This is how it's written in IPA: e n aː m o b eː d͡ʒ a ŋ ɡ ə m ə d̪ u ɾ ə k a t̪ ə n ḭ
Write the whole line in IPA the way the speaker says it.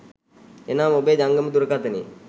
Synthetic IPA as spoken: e n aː m o b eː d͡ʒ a ŋ ɡ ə m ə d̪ u ɾ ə k a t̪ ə n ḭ